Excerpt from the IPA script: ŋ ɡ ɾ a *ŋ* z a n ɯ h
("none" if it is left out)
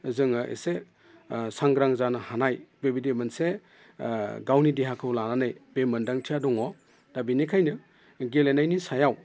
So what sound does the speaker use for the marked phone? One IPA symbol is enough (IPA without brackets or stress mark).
ŋ